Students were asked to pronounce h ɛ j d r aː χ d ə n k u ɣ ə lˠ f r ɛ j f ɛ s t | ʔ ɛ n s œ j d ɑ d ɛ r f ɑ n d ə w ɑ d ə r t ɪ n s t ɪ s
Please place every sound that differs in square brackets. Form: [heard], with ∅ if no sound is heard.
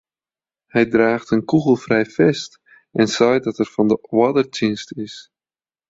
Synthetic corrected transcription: h ɛ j d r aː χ [t] ə n k u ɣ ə lˠ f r ɛ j f ɛ s t | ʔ ɛ n s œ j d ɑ [t] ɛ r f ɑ n d ə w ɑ d ə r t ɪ n s t ɪ s